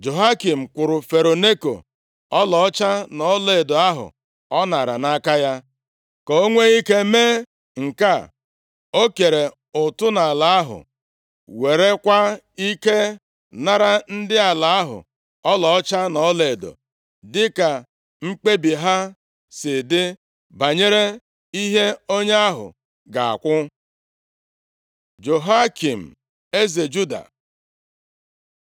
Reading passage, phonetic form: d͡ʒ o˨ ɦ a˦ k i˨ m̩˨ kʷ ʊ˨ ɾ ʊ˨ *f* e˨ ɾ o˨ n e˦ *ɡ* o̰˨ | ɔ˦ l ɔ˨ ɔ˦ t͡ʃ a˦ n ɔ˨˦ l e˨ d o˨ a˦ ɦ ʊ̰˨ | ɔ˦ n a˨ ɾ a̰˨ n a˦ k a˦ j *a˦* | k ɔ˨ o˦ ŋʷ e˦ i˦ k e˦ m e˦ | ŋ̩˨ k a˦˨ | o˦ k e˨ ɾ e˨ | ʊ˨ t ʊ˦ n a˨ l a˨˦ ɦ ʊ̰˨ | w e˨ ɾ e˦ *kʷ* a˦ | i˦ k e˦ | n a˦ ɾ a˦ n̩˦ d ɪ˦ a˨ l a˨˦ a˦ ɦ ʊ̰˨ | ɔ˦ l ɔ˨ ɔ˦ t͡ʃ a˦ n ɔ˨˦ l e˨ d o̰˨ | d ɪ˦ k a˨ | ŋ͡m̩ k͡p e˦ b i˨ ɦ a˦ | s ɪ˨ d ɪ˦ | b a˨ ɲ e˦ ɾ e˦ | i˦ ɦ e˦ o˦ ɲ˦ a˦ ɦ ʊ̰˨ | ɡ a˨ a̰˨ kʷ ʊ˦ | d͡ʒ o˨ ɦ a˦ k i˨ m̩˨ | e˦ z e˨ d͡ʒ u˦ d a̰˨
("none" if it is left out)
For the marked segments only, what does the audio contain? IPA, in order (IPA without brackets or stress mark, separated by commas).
f, k, a˦, kʷ